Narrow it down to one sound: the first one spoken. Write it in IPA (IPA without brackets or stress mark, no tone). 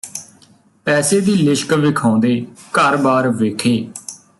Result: p